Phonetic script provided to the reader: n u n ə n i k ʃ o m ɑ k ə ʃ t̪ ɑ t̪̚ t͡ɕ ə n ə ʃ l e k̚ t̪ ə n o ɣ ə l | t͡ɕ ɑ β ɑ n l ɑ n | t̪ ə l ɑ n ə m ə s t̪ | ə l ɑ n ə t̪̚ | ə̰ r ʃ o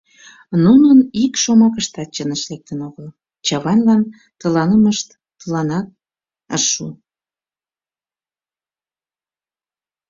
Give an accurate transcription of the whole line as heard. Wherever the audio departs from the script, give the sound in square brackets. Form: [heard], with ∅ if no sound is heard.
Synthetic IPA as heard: n u n ə n i k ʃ o m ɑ k ə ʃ t̪ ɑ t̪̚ t͡ɕ ə n ə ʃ l e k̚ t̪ ə n o ɣ ə l | t͡ɕ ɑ β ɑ n l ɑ n | t̪ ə l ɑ n ə m ə [ʃ] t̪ | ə l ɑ n [ɑ] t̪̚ | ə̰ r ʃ [u]